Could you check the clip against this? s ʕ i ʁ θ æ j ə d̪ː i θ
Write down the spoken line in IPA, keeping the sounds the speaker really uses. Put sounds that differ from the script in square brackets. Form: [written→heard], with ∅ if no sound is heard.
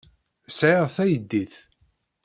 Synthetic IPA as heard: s ʕ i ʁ θ æ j ə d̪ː i θ